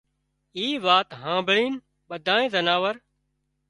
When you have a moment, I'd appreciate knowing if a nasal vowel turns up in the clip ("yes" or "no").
yes